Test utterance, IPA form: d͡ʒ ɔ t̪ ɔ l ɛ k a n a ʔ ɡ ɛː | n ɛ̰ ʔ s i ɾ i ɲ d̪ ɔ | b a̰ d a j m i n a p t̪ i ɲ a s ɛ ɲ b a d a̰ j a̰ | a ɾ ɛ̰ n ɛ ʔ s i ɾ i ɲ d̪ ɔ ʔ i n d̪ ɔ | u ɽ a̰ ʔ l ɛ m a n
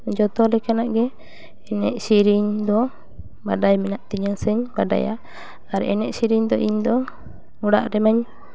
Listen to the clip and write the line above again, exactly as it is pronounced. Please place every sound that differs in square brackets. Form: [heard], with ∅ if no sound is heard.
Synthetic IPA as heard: d͡ʒ ɔ t̪ ɔ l ɛ k a n a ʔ ɡ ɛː | n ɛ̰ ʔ s i ɾ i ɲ d̪ ɔ | b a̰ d a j m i n a [ʔ] t̪ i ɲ a s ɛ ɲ b a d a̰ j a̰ | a ɾ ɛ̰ n ɛ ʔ s i ɾ i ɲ d̪ ɔ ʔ i [ɲ] d̪ ɔ | u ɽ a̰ ʔ [ɾ] ɛ m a [ɲ]